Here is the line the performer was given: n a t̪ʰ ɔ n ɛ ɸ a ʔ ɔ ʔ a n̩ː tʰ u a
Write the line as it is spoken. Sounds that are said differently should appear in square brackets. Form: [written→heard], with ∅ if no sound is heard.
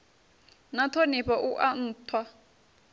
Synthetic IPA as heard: n a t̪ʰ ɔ n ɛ ɸ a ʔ [ɔ→u] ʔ a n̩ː tʰ [u→w] a